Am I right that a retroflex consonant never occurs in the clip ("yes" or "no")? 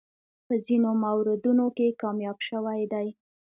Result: yes